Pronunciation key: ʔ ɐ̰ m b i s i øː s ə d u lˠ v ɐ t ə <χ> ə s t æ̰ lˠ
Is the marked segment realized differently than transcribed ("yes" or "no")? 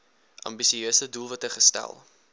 no